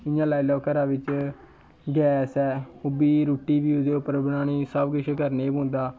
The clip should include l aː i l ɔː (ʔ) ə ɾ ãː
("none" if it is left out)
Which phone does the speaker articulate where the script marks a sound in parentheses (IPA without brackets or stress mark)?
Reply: k